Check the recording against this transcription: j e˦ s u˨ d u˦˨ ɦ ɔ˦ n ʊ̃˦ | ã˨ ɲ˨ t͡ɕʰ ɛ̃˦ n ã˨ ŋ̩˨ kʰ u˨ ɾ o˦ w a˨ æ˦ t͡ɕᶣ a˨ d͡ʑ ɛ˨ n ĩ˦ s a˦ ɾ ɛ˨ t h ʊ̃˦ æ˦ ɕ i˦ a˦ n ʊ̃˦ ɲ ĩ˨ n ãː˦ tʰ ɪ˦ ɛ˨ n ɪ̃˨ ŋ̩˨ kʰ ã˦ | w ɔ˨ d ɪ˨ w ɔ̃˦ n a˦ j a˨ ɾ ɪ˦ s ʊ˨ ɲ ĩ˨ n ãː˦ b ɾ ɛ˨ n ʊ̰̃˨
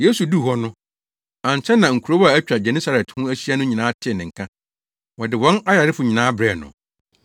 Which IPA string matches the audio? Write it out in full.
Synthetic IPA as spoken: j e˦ s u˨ d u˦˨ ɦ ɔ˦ n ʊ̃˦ | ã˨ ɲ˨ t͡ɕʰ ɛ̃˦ n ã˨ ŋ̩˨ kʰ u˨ ɾ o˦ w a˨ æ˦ t͡ɕᶣ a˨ d͡ʑ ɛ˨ n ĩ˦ s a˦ ɾ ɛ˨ t h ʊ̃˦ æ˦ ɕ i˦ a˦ n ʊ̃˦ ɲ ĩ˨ n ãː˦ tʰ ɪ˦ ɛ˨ n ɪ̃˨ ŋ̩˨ kʰ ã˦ | w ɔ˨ d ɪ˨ w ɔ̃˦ n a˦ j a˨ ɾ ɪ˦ f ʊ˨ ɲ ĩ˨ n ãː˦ b ɾ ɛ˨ n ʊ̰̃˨

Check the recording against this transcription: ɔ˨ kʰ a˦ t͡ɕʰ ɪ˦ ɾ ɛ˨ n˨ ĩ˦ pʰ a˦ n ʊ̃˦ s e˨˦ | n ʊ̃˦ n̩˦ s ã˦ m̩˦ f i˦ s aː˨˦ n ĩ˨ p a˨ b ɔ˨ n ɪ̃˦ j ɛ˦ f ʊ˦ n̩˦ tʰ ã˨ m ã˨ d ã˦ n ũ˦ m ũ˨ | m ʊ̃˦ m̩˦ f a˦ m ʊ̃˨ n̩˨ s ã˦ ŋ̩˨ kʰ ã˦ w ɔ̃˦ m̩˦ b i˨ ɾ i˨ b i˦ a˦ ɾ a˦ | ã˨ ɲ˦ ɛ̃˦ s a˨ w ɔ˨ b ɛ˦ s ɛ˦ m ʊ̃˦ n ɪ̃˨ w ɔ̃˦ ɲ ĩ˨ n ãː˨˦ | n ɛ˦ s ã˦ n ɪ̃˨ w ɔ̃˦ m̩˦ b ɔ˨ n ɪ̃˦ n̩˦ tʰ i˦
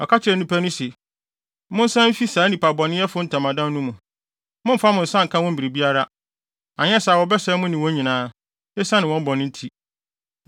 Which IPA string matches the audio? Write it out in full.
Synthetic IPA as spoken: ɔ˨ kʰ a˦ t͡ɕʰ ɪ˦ ɾ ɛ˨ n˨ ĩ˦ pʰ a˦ n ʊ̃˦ s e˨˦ | m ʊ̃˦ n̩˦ s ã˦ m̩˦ f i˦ s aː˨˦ n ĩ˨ p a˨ b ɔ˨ n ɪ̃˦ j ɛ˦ f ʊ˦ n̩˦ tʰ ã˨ m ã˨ d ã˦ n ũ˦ m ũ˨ | m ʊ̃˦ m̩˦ f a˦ m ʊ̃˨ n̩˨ s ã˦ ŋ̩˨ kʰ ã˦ w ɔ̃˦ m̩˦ b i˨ ɾ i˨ b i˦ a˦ ɾ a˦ | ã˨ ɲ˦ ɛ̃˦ s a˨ w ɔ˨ b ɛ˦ s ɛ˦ m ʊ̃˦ n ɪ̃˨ w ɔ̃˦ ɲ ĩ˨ n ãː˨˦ | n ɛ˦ s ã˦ n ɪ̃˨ w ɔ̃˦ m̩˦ b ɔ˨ n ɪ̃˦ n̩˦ tʰ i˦

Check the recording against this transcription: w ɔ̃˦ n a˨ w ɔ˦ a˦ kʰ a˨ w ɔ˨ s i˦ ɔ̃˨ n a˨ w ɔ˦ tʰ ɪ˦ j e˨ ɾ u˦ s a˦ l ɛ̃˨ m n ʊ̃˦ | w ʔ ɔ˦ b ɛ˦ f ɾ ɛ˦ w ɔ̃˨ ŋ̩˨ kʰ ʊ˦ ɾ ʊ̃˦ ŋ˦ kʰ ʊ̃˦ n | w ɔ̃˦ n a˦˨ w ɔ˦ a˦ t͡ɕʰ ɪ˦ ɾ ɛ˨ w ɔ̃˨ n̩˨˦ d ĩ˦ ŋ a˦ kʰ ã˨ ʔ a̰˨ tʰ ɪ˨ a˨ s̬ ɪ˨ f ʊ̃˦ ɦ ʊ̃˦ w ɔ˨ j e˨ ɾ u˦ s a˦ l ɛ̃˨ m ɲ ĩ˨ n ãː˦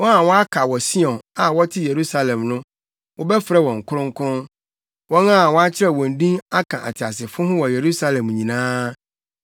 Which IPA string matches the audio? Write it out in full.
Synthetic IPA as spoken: w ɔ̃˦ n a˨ w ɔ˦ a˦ kʰ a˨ w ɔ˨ s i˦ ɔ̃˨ n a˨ w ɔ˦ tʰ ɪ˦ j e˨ ɾ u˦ s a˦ l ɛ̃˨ m n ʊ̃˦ | w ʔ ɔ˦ b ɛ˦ f ɾ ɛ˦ w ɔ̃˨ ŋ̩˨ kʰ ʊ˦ ɾ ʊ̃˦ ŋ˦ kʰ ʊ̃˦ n | w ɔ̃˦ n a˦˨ w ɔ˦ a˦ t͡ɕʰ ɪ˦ ɾ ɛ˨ w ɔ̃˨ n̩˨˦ d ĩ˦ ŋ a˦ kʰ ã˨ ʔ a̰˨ tʰ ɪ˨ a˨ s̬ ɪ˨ f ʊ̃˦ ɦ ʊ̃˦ w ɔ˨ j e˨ ɾ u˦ s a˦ l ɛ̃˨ m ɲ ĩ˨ n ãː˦

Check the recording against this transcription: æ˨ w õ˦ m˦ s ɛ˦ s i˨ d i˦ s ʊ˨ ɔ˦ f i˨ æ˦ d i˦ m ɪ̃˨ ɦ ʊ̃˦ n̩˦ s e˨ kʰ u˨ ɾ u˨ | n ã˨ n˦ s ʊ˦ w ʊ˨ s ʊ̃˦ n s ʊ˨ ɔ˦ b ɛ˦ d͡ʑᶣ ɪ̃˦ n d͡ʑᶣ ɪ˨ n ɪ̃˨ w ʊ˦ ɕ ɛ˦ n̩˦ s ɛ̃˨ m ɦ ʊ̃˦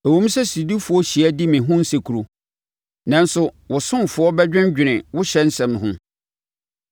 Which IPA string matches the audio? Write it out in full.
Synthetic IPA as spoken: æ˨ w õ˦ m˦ s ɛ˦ s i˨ d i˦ f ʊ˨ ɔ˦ ɕ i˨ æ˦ d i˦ m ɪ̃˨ ɦ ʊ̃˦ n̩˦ s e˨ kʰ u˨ ɾ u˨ | n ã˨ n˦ s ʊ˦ w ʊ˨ s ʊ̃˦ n f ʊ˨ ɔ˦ b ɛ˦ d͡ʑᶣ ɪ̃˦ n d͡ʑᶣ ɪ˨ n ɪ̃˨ w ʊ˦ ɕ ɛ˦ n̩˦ s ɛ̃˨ m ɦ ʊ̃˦

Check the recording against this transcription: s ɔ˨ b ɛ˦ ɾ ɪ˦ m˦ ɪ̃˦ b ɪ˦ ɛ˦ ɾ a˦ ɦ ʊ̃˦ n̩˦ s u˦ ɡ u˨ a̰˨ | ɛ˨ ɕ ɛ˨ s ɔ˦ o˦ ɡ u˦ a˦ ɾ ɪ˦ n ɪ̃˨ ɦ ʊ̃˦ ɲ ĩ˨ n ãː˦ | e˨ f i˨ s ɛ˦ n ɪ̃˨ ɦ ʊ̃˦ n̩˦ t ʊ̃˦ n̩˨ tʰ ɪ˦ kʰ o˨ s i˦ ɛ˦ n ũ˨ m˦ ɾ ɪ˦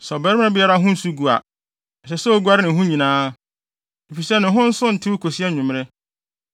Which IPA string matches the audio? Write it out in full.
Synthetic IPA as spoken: s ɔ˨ b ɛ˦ ɾ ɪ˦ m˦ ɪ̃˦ b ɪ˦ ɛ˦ ɾ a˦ ɦ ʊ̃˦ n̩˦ s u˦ ɡ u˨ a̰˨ | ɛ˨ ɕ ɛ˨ s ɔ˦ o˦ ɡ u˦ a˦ ɾ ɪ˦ n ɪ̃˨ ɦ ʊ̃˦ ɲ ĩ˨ n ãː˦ | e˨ f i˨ s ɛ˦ n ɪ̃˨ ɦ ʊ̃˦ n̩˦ s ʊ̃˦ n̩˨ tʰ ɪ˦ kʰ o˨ s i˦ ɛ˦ ɲ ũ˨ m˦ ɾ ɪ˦

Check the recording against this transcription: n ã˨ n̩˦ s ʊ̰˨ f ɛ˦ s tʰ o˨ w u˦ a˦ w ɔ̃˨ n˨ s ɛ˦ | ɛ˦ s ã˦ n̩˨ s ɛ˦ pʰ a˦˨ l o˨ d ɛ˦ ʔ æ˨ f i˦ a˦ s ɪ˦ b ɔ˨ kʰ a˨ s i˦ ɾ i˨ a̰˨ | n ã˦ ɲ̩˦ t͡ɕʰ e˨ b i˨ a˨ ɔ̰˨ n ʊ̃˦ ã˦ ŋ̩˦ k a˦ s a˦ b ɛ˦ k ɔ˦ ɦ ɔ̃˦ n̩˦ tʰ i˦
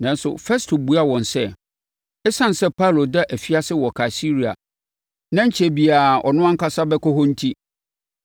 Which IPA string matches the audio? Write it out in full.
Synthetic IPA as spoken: n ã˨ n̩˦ s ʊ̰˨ f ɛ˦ s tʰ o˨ b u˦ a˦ w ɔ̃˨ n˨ s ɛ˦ | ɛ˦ s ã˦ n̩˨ s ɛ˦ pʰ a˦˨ l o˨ d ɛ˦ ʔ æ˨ f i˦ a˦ s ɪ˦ w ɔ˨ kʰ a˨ s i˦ ɾ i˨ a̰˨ | n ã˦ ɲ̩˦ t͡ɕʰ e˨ b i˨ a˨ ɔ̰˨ n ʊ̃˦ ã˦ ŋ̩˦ k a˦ s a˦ b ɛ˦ k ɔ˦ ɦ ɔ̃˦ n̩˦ tʰ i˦

